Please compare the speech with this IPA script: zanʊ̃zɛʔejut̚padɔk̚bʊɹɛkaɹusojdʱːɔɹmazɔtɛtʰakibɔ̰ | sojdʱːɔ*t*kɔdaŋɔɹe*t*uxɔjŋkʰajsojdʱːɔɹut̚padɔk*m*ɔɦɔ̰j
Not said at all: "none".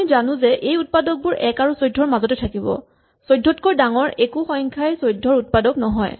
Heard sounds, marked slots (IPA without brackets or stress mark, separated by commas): t, k, n